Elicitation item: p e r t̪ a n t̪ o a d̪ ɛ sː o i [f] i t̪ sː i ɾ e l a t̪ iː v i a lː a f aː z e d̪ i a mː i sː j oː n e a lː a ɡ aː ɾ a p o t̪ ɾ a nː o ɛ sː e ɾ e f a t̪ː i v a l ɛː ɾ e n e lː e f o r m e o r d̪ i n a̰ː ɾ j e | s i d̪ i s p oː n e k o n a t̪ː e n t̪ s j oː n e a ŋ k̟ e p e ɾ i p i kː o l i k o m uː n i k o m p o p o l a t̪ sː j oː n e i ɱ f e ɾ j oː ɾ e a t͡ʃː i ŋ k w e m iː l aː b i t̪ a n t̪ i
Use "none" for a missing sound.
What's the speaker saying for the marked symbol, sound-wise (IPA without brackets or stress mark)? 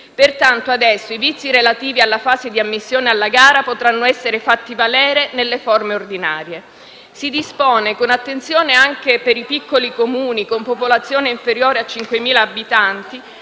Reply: v